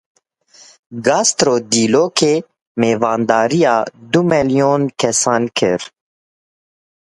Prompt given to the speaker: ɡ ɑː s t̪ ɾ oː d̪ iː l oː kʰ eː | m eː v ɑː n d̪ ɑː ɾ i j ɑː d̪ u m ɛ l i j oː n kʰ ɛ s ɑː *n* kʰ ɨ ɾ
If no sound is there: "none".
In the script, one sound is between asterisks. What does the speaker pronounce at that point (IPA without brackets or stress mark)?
n